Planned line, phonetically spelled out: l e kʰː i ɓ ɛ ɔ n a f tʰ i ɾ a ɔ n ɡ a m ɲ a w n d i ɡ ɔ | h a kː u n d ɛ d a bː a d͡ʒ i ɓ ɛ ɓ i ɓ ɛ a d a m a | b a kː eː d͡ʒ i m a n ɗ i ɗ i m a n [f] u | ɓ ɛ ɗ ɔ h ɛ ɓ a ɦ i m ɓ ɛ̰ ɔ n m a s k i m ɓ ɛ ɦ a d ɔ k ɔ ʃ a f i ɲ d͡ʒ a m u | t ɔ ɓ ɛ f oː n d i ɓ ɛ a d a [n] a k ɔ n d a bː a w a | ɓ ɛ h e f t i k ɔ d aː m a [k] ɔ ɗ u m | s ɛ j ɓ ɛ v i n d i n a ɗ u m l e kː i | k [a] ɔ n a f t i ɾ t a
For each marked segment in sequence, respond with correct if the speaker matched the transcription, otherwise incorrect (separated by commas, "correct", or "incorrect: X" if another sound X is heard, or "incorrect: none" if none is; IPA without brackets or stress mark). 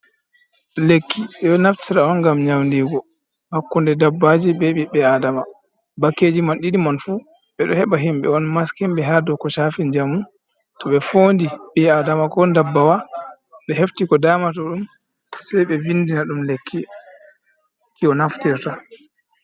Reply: correct, incorrect: m, incorrect: t, incorrect: i